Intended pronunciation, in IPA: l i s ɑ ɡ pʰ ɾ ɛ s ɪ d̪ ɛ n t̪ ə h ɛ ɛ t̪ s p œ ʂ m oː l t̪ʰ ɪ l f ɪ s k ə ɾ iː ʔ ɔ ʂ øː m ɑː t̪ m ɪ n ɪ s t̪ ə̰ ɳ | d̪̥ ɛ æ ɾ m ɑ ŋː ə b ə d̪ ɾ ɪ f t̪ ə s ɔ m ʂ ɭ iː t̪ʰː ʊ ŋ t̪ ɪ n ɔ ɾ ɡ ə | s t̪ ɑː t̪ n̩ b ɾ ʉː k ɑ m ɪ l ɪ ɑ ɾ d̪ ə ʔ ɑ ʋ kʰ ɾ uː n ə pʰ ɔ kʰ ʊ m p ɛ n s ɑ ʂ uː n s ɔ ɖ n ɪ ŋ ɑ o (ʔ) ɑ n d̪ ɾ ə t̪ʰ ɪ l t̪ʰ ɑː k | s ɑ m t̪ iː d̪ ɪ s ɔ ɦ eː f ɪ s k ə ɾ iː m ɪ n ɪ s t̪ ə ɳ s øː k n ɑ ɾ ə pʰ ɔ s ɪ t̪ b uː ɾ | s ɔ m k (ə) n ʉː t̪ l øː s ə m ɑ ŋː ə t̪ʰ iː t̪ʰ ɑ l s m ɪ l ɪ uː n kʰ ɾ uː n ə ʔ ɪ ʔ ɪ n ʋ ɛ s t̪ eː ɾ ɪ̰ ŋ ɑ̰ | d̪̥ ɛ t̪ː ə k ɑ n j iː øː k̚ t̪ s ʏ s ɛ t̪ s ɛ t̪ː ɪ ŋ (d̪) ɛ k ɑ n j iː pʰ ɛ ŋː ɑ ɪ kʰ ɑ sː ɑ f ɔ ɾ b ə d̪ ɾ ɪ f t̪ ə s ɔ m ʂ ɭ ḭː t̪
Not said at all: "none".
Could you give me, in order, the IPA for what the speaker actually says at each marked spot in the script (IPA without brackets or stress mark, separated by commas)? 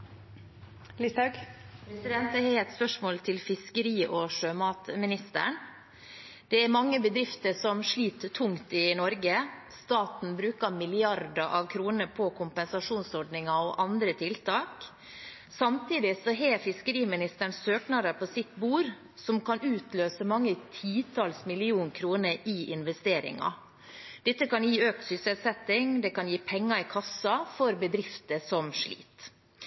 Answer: ʔ, ɑ, d̪